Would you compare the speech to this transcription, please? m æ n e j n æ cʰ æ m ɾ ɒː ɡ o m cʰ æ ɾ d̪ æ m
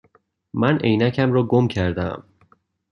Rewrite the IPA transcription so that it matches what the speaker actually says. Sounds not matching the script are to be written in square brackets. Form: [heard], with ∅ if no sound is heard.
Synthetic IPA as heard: m æ n e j n æ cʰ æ m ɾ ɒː ɡ o m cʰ æ ɾ d̪ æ m